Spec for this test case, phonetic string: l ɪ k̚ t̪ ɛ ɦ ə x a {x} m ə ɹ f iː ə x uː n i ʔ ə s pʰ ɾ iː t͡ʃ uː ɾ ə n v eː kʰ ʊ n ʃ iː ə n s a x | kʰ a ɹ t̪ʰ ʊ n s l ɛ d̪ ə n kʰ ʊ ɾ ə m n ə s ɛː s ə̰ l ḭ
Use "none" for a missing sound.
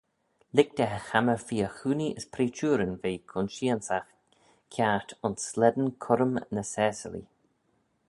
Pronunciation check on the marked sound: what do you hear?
none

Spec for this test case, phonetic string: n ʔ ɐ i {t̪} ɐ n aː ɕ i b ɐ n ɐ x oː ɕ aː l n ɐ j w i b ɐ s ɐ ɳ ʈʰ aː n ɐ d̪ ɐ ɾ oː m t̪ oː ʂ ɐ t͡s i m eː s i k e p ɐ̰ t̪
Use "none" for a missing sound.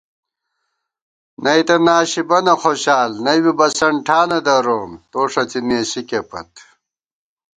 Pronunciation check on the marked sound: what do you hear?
t̪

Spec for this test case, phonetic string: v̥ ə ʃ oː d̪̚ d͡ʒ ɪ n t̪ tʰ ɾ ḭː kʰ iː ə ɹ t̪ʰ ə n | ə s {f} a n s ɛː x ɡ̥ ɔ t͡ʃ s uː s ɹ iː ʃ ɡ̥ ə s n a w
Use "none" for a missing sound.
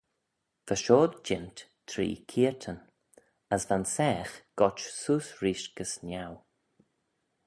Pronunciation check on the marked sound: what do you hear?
v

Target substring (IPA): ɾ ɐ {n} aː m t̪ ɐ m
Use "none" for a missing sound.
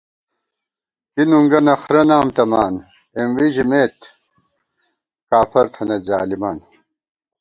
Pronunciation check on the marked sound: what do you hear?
n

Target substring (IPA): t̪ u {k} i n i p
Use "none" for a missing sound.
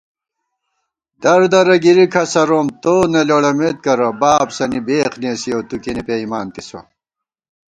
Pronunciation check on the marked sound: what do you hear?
k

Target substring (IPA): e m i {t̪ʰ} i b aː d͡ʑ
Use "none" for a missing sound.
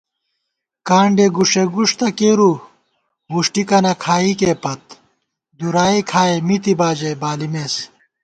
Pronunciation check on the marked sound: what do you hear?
t̪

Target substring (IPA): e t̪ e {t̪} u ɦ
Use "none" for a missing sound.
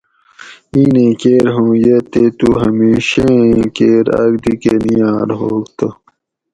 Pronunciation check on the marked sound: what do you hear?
t̪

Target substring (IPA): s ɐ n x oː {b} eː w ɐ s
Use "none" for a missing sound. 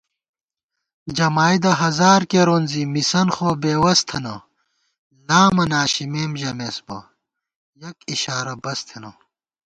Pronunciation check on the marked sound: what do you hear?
b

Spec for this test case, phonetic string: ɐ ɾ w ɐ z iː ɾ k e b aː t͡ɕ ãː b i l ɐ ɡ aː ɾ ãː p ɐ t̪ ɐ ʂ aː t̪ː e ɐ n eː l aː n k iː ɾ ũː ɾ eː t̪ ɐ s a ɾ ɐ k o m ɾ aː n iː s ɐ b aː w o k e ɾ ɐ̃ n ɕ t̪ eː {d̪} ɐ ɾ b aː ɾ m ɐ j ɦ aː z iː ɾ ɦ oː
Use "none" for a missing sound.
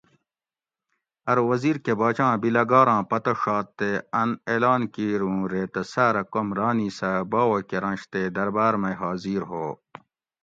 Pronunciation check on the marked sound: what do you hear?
d̪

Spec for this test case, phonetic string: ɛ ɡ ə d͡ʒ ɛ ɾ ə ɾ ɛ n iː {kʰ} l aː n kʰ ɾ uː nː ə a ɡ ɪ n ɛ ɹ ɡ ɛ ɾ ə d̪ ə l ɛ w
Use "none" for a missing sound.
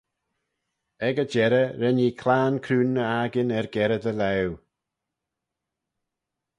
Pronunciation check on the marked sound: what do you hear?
kʰ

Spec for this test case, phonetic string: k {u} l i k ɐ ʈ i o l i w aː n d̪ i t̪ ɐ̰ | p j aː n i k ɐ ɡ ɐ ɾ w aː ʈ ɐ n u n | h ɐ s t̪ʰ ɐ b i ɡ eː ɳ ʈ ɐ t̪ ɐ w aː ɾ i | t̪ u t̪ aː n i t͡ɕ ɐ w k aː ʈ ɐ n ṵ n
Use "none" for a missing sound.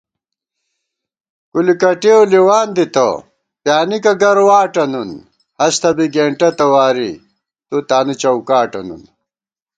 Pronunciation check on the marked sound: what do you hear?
u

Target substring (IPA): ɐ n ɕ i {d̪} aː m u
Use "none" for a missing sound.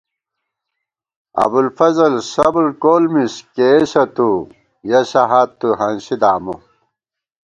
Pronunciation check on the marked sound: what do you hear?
d̪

